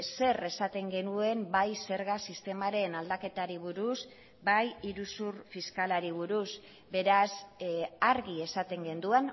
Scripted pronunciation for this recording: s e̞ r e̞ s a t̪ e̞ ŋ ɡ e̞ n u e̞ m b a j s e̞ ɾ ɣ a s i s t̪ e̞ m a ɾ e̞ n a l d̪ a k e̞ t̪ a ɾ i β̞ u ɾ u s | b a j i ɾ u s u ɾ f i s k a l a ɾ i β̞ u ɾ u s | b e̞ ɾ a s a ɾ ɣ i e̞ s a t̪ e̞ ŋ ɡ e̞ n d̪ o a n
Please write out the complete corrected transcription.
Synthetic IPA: s e̞ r e̞ s a t̪ e̞ ŋ ɡ e̞ n u e̞ m b a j s e̞ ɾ ɣ a s i s t̪ e̞ m a ɾ e̞ n a l d̪ a k e̞ t̪ a ɾ i β̞ u ɾ u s | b a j i ɾ u s u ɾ f i s k a l a ɾ i β̞ u ɾ u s | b e̞ ɾ a s a ɾ ɣ i e̞ s a t̪ e̞ ŋ ɡ e̞ n d̪ u a n